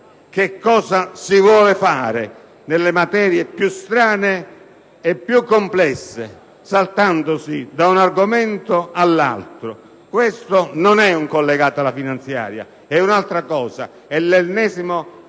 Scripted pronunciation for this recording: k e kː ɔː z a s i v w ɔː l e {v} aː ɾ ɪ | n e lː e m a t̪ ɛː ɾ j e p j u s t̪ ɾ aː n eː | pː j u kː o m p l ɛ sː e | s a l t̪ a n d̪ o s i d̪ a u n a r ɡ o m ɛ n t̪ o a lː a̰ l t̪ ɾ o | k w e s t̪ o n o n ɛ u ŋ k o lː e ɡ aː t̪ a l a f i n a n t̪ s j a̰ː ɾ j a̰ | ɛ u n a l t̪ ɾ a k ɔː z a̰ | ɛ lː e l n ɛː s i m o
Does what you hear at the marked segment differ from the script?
yes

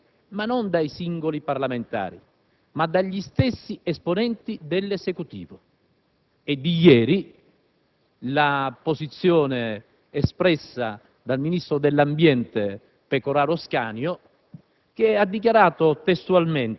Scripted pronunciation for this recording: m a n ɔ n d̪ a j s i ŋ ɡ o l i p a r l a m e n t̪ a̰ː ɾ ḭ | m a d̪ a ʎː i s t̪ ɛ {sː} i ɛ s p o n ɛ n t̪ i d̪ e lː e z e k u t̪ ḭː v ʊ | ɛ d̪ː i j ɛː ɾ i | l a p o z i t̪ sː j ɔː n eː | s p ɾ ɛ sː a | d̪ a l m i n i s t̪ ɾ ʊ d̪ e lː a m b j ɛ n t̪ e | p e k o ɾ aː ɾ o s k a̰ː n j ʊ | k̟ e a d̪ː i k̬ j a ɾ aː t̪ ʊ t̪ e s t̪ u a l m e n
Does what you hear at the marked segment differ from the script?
no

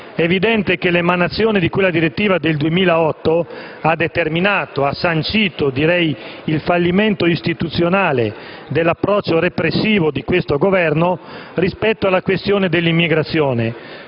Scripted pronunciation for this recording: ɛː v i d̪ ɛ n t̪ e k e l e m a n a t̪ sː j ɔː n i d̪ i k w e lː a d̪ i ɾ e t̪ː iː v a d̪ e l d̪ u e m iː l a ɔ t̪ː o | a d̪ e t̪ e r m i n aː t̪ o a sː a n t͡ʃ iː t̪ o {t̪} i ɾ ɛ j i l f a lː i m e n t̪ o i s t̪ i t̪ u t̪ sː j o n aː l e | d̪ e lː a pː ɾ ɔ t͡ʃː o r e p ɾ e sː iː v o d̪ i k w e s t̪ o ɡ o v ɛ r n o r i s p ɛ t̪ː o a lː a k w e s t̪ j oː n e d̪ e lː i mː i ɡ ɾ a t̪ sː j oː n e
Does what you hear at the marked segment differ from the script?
yes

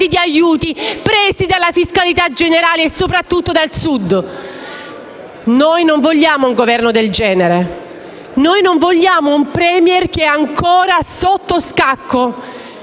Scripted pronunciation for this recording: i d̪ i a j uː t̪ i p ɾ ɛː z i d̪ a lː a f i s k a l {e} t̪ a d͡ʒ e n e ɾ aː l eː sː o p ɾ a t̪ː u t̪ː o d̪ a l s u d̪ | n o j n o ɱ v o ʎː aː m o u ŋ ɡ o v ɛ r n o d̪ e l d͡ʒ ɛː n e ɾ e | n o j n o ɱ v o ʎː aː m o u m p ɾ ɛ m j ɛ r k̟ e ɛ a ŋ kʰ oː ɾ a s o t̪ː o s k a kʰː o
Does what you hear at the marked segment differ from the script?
yes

